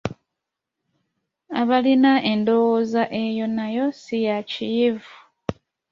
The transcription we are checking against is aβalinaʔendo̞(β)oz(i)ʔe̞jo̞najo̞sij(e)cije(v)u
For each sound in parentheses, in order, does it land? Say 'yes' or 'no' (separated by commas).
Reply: no, no, no, yes